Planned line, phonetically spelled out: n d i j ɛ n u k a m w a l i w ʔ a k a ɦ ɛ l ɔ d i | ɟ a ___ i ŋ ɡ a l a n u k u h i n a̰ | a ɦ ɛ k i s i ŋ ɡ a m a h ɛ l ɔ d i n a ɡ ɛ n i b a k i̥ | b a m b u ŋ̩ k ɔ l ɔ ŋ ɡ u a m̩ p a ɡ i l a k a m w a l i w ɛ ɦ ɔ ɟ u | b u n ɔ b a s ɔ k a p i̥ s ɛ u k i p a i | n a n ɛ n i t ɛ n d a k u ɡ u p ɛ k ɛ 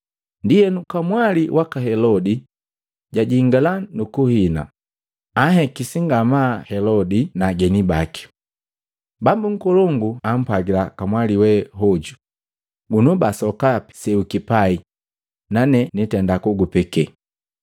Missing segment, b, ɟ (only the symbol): ɟ